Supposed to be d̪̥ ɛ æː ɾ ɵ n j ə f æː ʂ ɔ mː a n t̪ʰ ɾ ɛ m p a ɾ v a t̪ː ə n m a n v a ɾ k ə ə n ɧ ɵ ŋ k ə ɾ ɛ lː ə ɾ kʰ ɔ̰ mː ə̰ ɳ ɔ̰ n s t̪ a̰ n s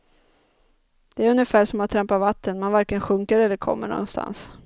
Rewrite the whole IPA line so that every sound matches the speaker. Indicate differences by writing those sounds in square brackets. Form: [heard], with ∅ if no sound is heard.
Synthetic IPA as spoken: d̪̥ ɛ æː ɾ ɵ n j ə f æː ʂ ɔ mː a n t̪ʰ ɾ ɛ m p a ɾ v a t̪ː ə n m a n v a ɾ k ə ə n ɧ ɵ ŋ k ə ɾ ɛ lː ə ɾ kʰ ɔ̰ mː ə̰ ɳ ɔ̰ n s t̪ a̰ n s